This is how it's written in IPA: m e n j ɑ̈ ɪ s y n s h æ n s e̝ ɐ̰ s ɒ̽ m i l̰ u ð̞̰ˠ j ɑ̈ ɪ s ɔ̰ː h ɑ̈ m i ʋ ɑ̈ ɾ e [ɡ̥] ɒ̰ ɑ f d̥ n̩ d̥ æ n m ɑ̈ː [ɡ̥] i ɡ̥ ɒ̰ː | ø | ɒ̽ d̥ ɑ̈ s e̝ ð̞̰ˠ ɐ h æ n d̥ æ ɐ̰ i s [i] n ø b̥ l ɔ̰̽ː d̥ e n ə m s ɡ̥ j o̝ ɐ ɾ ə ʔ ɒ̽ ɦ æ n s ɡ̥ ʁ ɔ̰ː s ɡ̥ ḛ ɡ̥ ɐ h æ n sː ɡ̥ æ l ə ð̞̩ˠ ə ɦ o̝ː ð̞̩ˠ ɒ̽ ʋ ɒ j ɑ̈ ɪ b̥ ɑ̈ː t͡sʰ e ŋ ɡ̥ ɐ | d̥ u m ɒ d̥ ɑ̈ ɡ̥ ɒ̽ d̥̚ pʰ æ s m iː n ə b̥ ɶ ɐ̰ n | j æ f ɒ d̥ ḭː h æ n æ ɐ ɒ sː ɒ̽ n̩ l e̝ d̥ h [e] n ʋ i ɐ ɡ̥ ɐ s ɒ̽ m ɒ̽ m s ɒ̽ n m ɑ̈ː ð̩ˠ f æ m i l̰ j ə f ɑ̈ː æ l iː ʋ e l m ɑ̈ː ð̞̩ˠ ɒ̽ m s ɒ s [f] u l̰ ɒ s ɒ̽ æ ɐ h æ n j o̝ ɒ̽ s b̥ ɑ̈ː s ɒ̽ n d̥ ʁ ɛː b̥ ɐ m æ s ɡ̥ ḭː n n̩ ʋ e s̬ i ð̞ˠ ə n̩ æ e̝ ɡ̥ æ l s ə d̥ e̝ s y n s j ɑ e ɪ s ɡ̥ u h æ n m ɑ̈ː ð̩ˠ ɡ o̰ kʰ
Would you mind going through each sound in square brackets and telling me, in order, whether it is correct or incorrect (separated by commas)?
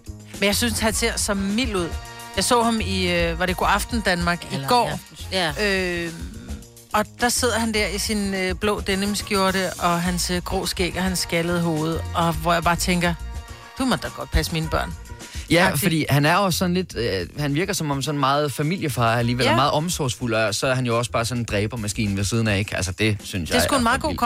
correct, correct, correct, incorrect, correct